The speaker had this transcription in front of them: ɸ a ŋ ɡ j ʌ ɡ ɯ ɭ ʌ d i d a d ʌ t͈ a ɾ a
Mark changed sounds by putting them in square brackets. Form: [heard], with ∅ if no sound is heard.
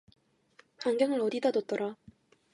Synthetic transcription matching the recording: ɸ a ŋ ɡ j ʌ [ŋ] ɯ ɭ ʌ d i d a d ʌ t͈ [ʌ] ɾ a